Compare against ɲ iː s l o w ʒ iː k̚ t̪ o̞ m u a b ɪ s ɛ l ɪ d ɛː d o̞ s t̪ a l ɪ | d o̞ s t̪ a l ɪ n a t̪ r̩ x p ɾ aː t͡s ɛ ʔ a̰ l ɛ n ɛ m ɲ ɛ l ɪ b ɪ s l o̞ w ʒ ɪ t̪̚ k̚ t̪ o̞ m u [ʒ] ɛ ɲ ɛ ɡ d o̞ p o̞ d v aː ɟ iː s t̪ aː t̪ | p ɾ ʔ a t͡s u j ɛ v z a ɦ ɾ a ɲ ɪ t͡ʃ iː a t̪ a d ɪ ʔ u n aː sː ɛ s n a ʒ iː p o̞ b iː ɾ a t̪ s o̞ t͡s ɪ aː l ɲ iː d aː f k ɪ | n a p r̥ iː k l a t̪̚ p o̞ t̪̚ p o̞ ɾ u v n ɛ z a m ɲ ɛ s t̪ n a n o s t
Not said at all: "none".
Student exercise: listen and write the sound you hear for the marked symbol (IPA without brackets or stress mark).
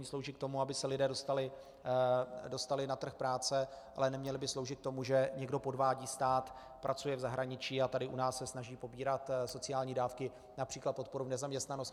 ʒ